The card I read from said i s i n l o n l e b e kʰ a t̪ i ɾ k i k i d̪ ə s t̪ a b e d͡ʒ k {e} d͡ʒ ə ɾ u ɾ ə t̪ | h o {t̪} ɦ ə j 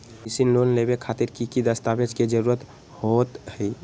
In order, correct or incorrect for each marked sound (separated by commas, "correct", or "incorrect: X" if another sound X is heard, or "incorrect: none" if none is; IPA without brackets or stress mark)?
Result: correct, correct